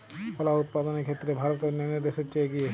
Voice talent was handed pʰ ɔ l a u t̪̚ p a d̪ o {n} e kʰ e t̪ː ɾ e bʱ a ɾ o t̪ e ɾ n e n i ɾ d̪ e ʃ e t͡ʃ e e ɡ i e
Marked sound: correct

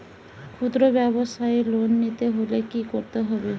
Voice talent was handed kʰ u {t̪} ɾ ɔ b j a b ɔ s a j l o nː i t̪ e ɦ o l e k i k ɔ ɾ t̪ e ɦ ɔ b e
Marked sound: incorrect: d̪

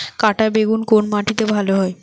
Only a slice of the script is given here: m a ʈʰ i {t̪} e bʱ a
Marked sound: correct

